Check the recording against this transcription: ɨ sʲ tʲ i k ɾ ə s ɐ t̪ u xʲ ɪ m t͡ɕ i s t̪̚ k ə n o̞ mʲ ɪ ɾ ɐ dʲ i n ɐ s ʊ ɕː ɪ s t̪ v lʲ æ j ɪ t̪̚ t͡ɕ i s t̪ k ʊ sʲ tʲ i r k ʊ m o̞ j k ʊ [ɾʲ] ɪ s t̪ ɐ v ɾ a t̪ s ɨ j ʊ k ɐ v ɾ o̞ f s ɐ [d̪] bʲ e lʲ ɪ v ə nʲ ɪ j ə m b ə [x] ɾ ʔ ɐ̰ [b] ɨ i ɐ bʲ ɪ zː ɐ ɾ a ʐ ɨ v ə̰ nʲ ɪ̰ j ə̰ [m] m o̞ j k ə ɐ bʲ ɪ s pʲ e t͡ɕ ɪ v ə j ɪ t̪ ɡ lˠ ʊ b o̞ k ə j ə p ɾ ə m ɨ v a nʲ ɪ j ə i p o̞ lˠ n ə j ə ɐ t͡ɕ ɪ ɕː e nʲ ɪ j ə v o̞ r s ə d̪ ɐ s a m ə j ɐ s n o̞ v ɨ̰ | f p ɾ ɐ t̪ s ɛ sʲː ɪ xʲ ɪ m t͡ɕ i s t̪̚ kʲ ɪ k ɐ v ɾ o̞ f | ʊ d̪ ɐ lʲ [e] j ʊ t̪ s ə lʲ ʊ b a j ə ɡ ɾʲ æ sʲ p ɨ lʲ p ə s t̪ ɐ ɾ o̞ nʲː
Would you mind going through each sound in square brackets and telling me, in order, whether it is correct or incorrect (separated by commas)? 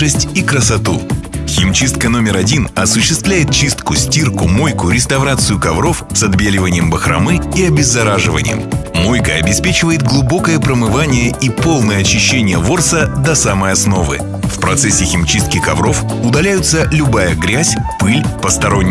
correct, correct, correct, incorrect, correct, incorrect